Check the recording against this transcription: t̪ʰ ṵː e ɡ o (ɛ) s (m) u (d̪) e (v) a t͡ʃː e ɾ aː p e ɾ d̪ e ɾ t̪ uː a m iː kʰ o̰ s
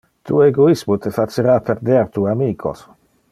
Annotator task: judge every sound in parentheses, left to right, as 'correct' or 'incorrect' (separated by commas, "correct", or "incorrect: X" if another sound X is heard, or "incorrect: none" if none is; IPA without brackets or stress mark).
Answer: incorrect: i, correct, incorrect: t̪, incorrect: f